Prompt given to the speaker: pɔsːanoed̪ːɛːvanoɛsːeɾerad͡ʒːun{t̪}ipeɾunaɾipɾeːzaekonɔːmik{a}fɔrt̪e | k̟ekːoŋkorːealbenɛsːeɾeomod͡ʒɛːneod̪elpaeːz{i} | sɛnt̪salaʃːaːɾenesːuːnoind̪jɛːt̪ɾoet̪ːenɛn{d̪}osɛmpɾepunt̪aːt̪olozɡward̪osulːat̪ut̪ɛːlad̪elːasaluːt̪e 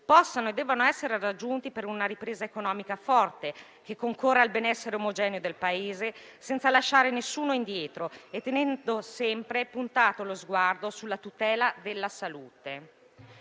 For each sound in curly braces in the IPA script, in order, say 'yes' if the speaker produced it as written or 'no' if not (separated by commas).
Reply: yes, yes, no, yes